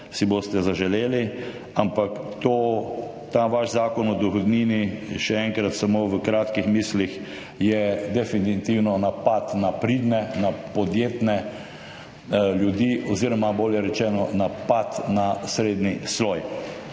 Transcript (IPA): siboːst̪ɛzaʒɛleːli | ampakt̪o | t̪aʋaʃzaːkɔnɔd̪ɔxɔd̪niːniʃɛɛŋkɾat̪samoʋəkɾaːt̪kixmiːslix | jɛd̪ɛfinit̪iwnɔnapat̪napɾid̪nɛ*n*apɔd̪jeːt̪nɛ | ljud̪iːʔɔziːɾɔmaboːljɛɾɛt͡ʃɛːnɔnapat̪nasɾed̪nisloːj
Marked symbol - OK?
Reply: yes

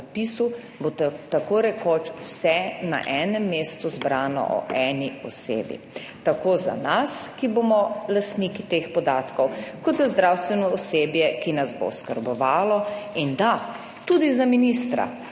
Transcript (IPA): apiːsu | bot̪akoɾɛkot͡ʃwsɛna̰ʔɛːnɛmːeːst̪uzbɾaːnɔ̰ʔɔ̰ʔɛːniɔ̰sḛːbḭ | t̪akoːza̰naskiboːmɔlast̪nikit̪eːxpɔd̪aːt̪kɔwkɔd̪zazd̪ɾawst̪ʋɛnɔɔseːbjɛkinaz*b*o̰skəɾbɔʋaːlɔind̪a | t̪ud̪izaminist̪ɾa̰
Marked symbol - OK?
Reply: yes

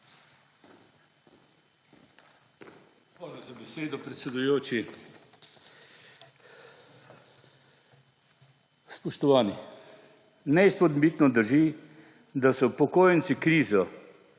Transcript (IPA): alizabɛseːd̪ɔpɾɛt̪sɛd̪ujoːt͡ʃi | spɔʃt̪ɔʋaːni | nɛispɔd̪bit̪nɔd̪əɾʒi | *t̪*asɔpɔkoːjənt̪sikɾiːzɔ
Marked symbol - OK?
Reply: no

